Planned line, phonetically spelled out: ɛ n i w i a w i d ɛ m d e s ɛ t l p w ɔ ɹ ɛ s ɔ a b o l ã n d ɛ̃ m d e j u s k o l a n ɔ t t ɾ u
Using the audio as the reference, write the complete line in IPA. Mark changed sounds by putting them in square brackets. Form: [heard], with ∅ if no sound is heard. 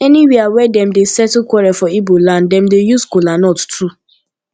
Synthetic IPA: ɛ n i w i a w [ɛ] d ɛ m d e s ɛ t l [k] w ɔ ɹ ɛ [f] ɔ [i] b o l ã n d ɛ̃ m d e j u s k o l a n ɔ t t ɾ u